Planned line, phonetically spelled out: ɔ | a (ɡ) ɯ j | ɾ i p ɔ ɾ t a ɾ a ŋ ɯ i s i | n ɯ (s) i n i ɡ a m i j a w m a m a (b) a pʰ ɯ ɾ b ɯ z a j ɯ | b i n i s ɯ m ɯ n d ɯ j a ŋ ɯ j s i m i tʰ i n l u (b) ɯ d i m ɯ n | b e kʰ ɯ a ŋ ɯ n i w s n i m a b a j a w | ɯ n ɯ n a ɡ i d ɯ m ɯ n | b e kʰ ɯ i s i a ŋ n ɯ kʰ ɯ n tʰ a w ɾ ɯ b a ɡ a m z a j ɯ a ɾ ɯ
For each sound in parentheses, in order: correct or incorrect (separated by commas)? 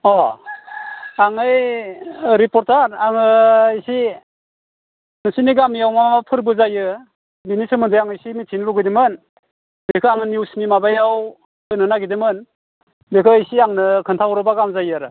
incorrect, correct, incorrect, incorrect